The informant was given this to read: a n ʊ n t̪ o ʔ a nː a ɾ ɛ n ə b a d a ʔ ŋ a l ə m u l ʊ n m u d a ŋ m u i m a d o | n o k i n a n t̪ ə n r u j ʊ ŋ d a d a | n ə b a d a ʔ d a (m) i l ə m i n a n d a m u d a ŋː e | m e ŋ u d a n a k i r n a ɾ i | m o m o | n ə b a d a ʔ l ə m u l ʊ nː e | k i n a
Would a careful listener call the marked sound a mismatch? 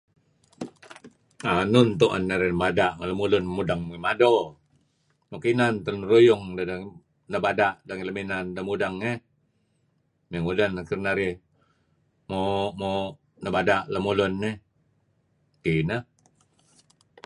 yes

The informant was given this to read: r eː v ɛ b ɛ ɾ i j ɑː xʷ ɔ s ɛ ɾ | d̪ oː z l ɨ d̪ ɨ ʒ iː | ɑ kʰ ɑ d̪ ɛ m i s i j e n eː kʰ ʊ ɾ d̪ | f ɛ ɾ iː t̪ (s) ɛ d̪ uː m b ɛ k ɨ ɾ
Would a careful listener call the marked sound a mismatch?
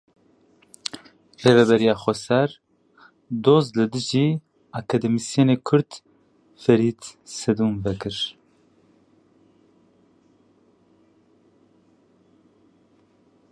no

